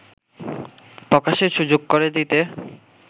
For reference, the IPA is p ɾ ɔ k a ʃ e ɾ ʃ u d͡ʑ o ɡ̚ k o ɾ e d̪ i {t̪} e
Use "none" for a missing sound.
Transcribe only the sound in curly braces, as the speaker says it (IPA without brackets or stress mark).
t̪